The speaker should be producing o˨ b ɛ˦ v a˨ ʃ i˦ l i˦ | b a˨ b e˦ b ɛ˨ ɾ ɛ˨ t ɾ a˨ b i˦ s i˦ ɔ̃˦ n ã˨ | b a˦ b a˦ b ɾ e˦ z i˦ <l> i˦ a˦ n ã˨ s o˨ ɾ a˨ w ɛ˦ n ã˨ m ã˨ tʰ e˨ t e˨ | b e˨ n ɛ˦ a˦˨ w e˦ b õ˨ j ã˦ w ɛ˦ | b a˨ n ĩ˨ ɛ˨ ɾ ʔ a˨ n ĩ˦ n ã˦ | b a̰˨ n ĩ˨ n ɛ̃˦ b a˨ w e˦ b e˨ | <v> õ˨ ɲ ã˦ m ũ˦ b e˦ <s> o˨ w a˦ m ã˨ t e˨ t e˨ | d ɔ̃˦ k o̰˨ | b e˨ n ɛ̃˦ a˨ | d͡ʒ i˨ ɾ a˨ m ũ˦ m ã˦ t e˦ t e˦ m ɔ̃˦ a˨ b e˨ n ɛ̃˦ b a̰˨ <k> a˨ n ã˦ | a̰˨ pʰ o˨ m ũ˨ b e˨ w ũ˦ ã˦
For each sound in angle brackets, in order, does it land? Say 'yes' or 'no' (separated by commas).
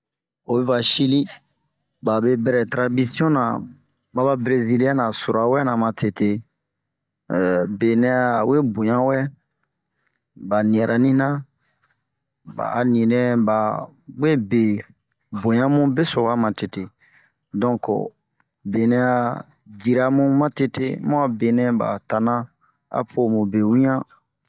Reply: yes, no, yes, no